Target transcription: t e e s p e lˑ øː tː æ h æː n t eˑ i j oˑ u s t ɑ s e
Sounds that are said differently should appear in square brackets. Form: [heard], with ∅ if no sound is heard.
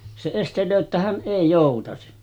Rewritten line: [s] e e s [t] e lˑ øː tː æ h [æ] n [ʔ] eˑ i j oˑ u [∅] t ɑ s [i]